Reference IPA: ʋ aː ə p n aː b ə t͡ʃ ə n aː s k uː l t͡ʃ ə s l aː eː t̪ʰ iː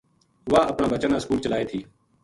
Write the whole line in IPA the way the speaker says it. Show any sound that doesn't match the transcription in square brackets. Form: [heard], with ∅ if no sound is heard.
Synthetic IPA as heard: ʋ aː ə p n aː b ə t͡ʃ ə n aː s k uː l t͡ʃ ə [∅] l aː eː t̪ʰ iː